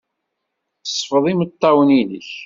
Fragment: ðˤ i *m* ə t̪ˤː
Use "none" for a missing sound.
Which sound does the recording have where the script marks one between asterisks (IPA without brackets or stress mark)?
m